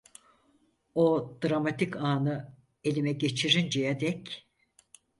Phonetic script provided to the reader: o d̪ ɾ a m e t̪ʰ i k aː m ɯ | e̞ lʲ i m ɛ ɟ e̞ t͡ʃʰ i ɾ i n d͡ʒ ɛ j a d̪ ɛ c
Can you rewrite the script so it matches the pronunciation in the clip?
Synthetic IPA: o d̪ ɾ a m a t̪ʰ i k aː n ɯ | e̞ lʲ i m ɛ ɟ e̞ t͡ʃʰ i ɾ i n d͡ʒ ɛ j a d̪ ɛ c